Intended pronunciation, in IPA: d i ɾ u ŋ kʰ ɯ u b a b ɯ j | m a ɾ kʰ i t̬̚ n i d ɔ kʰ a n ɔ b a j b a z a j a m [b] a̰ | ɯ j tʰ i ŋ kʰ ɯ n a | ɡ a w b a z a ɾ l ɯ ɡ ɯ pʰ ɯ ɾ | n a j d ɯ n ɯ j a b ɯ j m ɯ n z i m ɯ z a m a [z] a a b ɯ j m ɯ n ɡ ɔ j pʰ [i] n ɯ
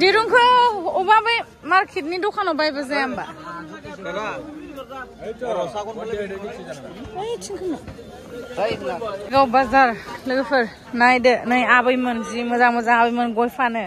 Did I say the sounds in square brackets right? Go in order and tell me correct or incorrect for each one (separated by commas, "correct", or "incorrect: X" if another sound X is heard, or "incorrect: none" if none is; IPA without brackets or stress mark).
correct, correct, incorrect: a